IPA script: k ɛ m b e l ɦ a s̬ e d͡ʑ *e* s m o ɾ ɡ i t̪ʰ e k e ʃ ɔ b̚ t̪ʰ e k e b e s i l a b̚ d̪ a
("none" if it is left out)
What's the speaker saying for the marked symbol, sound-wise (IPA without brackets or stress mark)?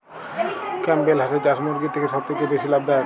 a